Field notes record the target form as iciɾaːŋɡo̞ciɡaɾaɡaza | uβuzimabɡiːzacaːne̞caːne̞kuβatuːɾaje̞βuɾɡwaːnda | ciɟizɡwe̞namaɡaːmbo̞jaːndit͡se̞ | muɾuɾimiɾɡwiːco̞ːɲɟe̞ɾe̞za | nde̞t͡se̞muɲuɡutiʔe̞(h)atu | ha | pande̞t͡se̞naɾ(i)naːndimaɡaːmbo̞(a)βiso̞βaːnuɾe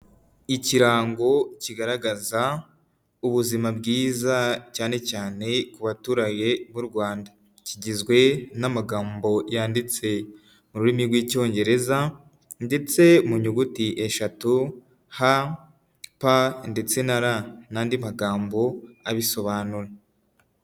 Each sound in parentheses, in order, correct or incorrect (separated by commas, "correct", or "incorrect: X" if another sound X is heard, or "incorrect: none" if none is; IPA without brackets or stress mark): incorrect: ʃ, incorrect: a, correct